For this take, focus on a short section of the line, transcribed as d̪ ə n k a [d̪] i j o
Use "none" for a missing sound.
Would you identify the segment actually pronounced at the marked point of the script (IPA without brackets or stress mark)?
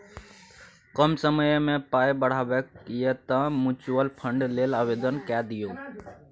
d̪